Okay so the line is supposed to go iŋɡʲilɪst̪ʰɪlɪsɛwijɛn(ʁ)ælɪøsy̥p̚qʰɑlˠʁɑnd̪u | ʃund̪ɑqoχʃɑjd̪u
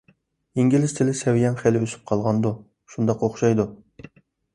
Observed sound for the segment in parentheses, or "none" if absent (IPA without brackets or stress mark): χ